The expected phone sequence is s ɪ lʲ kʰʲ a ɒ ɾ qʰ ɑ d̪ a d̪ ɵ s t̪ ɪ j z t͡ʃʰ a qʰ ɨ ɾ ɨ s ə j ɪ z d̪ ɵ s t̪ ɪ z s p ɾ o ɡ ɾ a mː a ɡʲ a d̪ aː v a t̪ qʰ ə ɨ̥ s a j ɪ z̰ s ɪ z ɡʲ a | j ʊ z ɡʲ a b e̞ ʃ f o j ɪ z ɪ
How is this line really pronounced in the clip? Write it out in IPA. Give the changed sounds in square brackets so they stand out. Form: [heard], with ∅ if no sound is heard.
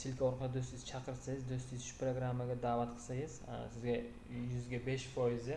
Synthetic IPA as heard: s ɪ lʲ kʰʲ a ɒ ɾ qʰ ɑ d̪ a d̪ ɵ s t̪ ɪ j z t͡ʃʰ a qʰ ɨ ɾ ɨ s [a] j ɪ z d̪ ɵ s t̪ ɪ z [ʃ] p ɾ o ɡ ɾ a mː a ɡʲ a d̪ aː v a t̪ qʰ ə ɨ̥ s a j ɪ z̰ s ɪ z ɡʲ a | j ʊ z ɡʲ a b e̞ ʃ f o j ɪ z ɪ

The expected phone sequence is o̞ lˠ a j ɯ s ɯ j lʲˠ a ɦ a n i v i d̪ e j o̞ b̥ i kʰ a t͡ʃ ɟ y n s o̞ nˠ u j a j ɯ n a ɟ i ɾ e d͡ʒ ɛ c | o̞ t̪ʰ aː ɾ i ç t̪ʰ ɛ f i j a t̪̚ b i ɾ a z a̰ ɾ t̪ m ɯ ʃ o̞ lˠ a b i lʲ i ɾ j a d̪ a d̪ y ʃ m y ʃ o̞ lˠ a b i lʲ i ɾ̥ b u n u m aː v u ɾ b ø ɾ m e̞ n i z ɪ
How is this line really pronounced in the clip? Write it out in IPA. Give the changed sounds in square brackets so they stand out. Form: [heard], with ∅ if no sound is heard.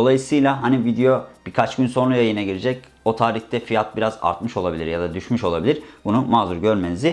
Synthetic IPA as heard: o̞ lˠ a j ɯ s ɯ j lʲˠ a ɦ a n i v i d̪ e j o̞ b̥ i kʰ a t͡ʃ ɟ y n s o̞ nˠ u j a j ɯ n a ɟ i ɾ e d͡ʒ ɛ c | o̞ t̪ʰ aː ɾ i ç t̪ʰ ɛ f i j a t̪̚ b i ɾ a z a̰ ɾ t̪ m ɯ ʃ o̞ lˠ a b i lʲ i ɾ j a d̪ a d̪ y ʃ m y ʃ o̞ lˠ a b i lʲ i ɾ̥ b u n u m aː [z] u ɾ [ɟ] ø ɾ m e̞ n i z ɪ

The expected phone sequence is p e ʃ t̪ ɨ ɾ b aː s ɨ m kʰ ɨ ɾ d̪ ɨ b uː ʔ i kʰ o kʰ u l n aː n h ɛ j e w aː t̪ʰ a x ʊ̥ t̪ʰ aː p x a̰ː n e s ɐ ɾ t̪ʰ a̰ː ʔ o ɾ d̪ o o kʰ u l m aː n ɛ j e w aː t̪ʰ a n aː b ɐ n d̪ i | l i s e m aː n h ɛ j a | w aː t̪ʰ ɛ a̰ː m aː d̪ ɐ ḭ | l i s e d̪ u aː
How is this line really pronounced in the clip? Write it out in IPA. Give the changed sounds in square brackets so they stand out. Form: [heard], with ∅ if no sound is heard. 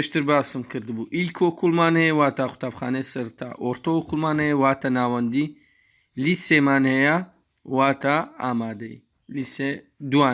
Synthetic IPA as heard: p e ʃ t̪ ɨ ɾ b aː s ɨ m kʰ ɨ ɾ d̪ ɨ b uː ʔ i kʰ o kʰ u l [m] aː n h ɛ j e w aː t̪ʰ a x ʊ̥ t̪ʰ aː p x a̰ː n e s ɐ ɾ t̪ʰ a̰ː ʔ o ɾ [t̪] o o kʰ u l m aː n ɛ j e w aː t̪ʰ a n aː [w] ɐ n d̪ i | l i s e m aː n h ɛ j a | w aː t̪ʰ [a] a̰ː m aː d̪ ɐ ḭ | l i s e d̪ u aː

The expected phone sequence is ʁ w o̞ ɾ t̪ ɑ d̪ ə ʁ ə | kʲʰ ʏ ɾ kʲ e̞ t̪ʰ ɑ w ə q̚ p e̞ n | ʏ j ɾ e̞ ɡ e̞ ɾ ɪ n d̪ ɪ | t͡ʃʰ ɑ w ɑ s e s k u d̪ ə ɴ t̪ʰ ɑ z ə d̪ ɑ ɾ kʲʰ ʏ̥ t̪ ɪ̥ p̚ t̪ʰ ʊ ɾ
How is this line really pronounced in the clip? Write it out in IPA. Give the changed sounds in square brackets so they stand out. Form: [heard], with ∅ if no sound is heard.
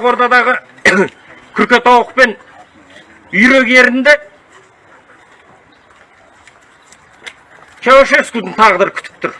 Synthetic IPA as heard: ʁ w o̞ ɾ t̪ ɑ d̪ [ɑ] ʁ ə | kʲʰ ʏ ɾ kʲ e̞ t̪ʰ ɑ w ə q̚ p e̞ n | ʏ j ɾ e̞ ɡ e̞ ɾ ɪ n d̪ ɪ | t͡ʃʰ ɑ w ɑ [ʃ] e s k u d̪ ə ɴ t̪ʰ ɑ [ʁ] ə d̪ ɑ ɾ kʲʰ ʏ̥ t̪ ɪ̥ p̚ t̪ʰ ʊ ɾ

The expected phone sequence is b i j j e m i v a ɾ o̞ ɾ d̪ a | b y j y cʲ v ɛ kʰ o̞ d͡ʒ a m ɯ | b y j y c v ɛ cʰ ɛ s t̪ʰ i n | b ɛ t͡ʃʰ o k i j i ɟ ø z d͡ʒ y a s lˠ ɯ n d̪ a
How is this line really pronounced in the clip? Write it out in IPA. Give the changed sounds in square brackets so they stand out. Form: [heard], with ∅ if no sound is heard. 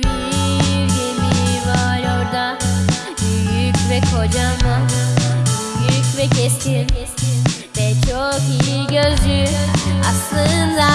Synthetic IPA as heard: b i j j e m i v a ɾ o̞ ɾ d̪ a | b y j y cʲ v ɛ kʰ o̞ d͡ʒ a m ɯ | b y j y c v ɛ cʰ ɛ s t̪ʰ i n | [v] ɛ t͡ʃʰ o k i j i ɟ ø z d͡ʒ y a s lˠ ɯ n d̪ a

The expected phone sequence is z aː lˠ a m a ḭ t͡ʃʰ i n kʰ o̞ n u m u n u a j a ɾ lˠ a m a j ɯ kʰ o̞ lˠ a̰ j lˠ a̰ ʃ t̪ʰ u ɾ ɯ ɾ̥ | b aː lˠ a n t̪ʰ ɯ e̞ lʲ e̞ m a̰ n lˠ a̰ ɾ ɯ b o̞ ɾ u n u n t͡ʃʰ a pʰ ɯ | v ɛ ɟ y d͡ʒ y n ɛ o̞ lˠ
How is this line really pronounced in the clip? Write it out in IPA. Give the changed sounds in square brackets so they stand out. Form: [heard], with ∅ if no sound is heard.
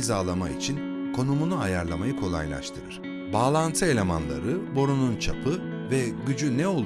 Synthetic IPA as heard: z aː lˠ a m a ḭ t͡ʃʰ i n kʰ o̞ n u m u n u a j a ɾ lˠ a m a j ɯ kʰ o̞ lˠ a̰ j lˠ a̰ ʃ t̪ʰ [ɯ] ɾ ɯ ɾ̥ | b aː lˠ a n t̪ʰ ɯ e̞ lʲ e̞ m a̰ n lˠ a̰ ɾ ɯ b o̞ ɾ u n u n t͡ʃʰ a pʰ ɯ | v ɛ ɟ y d͡ʒ y n ɛ o̞ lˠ

